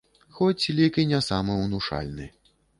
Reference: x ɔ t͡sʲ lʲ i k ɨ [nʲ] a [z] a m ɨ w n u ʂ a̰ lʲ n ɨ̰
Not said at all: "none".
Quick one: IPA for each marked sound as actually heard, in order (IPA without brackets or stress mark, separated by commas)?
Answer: nʲ, s